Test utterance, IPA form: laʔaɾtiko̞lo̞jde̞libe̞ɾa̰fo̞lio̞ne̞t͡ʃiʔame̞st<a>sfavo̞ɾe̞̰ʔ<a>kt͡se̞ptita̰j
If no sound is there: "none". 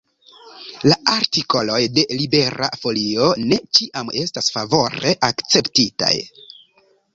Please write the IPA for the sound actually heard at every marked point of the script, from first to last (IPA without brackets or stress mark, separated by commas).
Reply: a, a